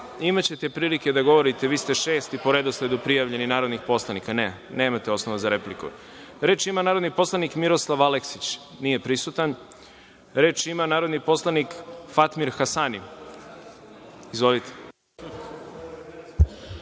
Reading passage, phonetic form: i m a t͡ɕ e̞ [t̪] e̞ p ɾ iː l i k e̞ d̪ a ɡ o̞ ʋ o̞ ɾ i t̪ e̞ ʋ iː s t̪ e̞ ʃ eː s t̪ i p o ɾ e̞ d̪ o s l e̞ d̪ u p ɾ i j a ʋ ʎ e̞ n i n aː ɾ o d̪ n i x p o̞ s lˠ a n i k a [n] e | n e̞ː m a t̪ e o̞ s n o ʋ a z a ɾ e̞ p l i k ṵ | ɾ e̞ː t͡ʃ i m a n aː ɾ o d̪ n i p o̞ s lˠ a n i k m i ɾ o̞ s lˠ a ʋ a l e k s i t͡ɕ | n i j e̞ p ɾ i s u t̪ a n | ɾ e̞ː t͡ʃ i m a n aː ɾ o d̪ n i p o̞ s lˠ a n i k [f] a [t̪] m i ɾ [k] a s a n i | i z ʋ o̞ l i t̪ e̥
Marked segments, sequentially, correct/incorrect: correct, correct, correct, correct, incorrect: x

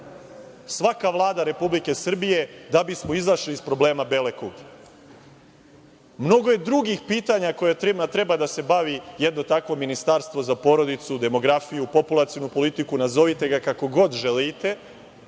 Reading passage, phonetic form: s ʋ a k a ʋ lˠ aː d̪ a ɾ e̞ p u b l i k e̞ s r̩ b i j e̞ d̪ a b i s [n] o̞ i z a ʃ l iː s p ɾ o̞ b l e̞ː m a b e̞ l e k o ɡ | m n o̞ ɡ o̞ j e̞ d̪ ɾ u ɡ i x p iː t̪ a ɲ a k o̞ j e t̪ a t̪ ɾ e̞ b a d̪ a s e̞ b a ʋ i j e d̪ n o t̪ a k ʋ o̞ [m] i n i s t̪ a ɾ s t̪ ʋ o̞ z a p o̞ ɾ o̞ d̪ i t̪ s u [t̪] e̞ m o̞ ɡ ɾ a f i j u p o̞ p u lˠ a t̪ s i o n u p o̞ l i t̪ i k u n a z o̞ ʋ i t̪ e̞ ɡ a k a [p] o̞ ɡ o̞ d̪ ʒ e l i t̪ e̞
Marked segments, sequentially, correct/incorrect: incorrect: m, correct, incorrect: d̪, incorrect: k

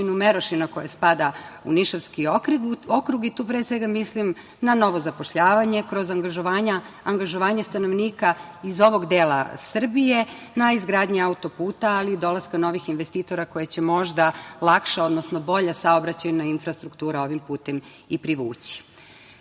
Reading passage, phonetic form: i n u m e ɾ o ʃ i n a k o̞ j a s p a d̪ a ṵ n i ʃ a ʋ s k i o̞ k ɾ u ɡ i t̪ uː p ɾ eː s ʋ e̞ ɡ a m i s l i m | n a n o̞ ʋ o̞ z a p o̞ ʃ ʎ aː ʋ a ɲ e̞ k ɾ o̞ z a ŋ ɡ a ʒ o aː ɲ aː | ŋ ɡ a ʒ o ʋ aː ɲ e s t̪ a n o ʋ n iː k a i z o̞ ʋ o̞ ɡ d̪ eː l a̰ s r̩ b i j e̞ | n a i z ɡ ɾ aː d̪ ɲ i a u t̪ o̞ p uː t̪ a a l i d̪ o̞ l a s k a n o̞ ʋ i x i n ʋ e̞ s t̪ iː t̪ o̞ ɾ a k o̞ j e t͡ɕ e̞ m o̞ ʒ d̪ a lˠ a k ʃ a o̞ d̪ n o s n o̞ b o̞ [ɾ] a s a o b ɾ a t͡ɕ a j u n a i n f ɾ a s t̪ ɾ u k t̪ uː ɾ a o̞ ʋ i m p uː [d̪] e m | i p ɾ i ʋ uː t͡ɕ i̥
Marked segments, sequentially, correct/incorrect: incorrect: ʎ, incorrect: t̪

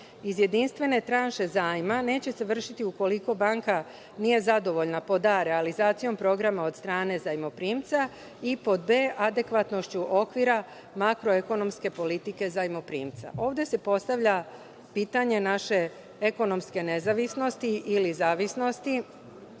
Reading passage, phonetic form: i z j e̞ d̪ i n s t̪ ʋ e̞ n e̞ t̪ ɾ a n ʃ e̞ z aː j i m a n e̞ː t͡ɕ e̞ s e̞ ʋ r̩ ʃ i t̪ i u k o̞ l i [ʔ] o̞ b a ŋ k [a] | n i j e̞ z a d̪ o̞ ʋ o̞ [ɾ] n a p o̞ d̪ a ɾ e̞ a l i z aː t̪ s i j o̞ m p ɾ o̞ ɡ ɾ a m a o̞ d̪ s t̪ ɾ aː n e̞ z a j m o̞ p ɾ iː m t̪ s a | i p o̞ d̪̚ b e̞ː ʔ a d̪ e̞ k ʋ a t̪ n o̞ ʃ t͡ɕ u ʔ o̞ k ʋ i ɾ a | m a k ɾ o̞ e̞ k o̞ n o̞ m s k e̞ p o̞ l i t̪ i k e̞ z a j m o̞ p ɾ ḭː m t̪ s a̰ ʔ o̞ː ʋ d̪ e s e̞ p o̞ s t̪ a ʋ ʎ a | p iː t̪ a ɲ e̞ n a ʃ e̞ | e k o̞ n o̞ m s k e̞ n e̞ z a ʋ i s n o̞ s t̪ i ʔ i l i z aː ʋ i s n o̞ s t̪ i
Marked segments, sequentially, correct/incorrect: incorrect: k, correct, incorrect: ʎ

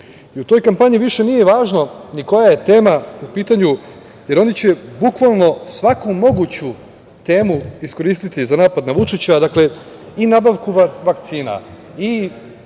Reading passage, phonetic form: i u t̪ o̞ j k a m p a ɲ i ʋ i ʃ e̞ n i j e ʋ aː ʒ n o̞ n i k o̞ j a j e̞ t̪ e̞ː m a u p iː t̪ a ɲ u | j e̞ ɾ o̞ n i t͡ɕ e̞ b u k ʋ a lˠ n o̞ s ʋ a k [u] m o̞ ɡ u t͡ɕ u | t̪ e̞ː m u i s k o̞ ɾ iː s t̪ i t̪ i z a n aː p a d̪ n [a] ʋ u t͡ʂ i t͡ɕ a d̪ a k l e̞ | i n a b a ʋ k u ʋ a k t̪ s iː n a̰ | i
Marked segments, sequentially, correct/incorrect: correct, correct

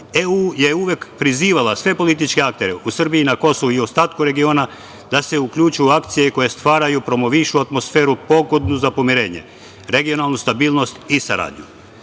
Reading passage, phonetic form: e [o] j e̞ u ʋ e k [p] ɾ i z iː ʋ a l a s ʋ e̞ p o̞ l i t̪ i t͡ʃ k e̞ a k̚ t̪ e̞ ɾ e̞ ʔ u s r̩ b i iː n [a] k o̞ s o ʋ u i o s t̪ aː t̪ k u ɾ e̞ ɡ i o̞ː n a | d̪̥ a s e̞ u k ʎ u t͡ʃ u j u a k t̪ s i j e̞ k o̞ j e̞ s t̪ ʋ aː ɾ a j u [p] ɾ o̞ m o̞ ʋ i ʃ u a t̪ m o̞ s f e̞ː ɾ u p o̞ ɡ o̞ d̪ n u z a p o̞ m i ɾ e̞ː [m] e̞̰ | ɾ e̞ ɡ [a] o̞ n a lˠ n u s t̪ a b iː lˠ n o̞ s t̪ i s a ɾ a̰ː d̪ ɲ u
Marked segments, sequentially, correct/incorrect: incorrect: u, correct, correct, correct, incorrect: ɲ, incorrect: i

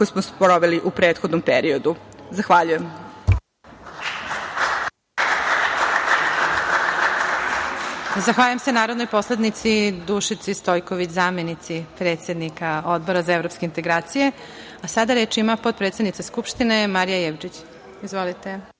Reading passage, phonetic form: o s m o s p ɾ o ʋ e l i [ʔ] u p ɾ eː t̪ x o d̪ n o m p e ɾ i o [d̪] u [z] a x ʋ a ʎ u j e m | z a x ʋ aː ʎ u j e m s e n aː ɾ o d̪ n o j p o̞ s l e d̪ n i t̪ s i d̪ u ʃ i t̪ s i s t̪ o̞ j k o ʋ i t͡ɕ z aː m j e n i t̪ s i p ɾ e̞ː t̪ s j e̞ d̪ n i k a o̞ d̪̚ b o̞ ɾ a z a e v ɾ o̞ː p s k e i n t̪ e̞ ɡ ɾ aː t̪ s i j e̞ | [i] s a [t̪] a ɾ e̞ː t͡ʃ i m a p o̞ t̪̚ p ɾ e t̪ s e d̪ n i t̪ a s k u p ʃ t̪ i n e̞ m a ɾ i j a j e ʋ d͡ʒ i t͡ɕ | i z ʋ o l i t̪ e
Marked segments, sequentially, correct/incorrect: correct, correct, correct, incorrect: a, incorrect: d̪

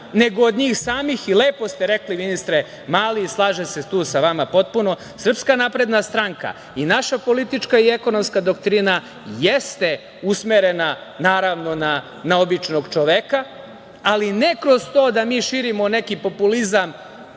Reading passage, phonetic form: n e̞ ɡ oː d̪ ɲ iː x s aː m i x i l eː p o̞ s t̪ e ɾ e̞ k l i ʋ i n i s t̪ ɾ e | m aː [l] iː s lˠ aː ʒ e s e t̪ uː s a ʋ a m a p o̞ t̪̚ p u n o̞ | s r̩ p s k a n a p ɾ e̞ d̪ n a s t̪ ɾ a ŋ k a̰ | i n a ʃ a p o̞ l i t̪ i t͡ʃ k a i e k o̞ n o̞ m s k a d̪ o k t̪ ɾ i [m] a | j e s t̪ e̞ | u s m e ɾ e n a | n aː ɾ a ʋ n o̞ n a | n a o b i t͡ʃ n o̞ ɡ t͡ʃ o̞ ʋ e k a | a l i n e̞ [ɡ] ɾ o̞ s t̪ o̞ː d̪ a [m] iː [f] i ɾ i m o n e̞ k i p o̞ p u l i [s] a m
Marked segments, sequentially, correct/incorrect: correct, incorrect: n, incorrect: k, correct, incorrect: ʃ, incorrect: z

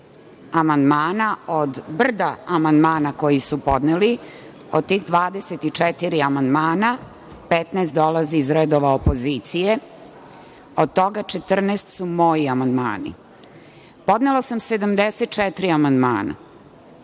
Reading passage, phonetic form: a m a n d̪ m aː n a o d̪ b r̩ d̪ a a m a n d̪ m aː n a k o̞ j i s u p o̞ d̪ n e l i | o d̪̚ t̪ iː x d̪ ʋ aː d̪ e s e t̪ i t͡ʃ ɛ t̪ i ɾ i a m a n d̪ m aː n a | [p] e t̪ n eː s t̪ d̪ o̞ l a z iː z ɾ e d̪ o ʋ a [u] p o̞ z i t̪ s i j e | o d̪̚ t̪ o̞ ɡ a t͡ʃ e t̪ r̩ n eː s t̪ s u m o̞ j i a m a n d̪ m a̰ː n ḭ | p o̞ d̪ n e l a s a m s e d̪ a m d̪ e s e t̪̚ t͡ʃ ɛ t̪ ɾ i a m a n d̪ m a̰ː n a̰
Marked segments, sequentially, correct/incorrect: correct, incorrect: o

